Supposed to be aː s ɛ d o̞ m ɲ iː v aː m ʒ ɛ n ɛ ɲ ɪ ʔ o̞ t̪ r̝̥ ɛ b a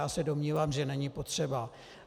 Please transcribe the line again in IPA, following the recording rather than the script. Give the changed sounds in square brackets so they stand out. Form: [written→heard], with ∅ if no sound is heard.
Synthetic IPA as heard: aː s ɛ d o̞ m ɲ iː v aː m ʒ ɛ n ɛ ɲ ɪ [ʔ→p] o̞ t̪ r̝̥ ɛ b a